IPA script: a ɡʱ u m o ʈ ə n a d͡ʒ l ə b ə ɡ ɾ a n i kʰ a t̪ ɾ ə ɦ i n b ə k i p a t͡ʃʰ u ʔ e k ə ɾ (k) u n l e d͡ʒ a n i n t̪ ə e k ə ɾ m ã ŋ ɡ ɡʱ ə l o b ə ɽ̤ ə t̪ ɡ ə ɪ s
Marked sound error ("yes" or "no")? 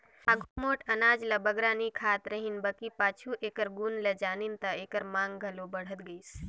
yes